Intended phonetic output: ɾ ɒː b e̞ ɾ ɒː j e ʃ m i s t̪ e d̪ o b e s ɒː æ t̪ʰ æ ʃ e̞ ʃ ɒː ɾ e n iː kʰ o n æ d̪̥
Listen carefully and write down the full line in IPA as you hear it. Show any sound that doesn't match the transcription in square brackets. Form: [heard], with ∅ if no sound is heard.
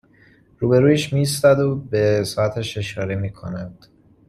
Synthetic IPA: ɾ [uː] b e̞ ɾ [uː] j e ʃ m i s t̪ [æ] d̪ o b e s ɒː æ t̪ʰ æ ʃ e̞ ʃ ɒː ɾ e [m] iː kʰ o n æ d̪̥